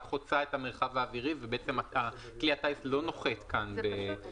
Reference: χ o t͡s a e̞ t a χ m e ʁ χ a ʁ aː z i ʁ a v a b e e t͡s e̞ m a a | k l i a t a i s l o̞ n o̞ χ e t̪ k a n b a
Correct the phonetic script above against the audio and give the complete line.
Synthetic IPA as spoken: χ o t͡s a e̞ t a m e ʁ χ a v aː v i ʁ i v e b e e t͡s e̞ m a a | k l i a t a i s l o̞ n o̞ χ e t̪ k a n b e